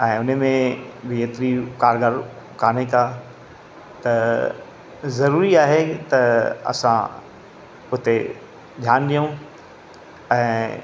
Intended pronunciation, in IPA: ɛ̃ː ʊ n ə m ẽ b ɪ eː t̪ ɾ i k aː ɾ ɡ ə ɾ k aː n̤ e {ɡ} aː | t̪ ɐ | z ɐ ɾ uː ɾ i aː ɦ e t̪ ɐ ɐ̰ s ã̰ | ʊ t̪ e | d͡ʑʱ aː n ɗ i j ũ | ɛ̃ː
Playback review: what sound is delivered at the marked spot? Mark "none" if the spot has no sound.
k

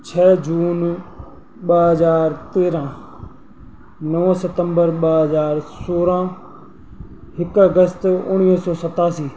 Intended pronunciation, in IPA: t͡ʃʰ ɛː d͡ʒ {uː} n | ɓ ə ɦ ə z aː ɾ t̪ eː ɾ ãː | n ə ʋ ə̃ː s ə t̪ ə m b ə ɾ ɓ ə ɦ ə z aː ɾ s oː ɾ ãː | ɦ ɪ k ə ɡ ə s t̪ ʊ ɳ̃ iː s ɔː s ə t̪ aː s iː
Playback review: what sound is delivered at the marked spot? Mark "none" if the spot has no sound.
uː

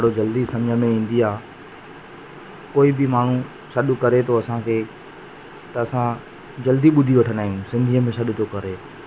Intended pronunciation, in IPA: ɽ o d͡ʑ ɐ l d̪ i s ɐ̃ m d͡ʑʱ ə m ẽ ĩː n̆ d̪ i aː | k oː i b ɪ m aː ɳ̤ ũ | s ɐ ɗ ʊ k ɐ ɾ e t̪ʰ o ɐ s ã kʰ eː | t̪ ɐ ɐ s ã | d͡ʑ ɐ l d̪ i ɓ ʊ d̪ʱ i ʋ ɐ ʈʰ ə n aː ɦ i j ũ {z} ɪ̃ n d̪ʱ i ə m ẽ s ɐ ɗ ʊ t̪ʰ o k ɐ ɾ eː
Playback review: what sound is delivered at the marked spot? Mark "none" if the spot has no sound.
s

